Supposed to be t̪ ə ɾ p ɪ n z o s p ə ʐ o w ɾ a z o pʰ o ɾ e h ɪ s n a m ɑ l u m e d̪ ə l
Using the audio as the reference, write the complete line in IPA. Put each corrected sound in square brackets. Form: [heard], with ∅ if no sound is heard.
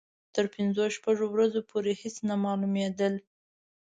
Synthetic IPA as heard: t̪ ə ɾ p ɪ n z o [ʃ] p [a] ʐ o w ɾ a z o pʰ o ɾ e h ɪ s n a m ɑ l u m e d̪ ə l

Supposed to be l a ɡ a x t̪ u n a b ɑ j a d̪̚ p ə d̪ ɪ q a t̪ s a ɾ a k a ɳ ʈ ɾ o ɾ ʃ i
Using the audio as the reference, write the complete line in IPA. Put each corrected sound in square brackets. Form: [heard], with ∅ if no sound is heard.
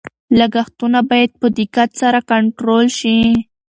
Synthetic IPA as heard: l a ɡ a x t̪ u n a b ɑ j a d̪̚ p ə d̪ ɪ [k] a t̪ s a ɾ a k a ɳ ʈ ɾ o [l] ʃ i

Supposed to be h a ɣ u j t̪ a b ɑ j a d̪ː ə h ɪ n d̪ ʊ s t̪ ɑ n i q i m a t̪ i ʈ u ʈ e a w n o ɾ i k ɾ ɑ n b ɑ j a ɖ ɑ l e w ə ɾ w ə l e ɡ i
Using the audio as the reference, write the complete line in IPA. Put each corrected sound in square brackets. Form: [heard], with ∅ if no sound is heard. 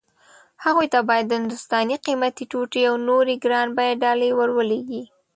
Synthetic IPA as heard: h a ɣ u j t̪ a b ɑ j a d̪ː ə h ɪ n d̪ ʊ s t̪ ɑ n i q i m a t̪ i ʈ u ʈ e a w n o ɾ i [ɡ] ɾ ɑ n b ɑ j a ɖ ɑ l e w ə ɾ w ə l e ɡ i

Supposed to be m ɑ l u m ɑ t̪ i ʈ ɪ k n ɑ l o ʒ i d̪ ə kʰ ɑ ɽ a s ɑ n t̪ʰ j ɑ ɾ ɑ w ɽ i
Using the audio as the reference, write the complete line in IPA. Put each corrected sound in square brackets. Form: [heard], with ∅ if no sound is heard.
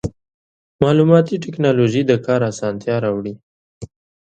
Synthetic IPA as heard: m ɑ l u m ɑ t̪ i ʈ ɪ k n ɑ l o ʒ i d̪ ə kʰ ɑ [ɾ] a s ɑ n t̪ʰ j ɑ ɾ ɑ w ɽ i

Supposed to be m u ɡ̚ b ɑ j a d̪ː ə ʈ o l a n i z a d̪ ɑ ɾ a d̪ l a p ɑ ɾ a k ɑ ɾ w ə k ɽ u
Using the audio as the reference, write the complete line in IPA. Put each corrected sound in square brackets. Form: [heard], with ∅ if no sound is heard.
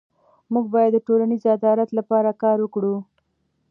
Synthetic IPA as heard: m u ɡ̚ b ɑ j a d̪ː ə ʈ o l a n i z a d̪ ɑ ɾ a [t̪] l a p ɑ ɾ a k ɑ ɾ w ə k ɽ u

